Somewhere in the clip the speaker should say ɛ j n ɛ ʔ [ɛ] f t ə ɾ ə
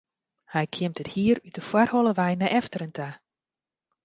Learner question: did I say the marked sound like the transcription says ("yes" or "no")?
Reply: yes